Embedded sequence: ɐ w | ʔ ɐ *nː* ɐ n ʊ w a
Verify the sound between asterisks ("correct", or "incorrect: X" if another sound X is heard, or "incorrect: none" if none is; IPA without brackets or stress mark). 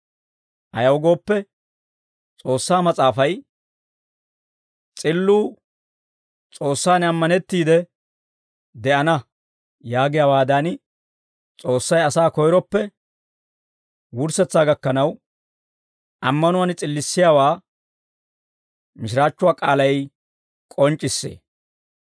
incorrect: mː